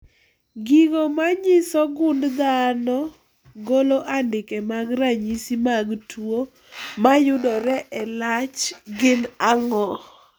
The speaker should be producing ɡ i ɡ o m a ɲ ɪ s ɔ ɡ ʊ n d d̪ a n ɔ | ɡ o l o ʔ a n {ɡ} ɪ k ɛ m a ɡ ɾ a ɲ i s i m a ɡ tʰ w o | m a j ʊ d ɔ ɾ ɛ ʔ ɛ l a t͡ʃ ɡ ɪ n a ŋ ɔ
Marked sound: incorrect: d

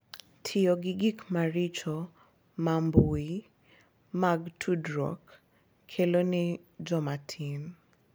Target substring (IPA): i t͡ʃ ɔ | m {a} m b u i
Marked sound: correct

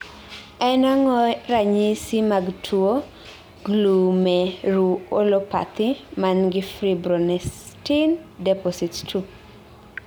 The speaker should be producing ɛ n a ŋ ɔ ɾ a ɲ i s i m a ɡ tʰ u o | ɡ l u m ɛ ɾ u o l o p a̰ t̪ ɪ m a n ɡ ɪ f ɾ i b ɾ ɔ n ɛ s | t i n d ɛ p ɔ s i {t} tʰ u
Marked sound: correct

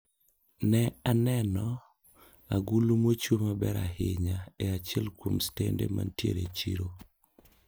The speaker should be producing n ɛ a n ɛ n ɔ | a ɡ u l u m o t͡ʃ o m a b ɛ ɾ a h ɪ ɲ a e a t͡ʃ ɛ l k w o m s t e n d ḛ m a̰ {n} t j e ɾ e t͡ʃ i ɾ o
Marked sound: correct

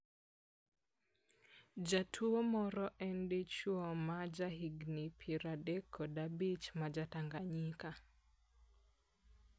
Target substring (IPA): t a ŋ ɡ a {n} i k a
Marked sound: incorrect: ɲ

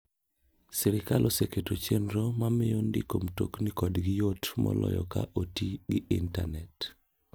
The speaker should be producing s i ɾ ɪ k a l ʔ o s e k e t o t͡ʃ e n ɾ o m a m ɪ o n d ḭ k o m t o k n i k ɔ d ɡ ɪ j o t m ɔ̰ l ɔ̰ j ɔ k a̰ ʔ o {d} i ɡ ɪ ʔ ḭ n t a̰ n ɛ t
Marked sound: incorrect: t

